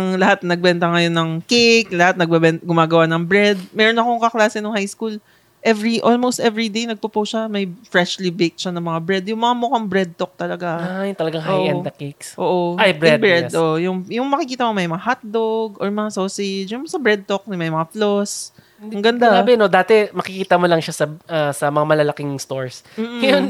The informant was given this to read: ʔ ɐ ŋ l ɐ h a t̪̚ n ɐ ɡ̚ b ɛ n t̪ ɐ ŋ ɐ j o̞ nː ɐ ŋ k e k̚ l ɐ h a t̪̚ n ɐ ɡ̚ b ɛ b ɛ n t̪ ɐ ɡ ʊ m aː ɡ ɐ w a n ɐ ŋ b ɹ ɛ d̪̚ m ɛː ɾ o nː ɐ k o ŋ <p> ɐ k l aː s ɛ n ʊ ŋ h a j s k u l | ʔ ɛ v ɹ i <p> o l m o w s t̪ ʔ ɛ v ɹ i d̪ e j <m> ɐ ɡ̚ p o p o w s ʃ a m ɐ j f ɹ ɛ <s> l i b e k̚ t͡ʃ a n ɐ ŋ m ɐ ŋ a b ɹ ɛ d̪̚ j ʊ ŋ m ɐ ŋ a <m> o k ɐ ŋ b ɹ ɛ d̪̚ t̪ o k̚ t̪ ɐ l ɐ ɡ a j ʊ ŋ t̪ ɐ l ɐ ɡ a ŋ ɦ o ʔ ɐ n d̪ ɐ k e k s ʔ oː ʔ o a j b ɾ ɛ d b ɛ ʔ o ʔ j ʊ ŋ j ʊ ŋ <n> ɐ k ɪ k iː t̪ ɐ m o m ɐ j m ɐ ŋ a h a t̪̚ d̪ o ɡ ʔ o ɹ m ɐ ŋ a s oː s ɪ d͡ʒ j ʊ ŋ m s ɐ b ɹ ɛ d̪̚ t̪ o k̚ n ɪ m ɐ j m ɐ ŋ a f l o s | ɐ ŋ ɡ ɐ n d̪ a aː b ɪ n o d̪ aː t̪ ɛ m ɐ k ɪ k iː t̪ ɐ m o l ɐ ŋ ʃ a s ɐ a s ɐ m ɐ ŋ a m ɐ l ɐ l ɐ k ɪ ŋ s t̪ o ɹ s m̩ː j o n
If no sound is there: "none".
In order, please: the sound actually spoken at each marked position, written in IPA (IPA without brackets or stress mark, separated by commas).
k, ʔ, n, ʃ, m, m